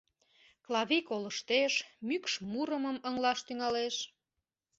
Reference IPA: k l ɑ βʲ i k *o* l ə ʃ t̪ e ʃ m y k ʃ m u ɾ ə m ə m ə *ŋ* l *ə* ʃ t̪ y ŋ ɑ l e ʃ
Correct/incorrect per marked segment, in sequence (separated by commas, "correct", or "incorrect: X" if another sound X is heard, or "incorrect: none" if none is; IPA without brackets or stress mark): correct, correct, incorrect: ɑ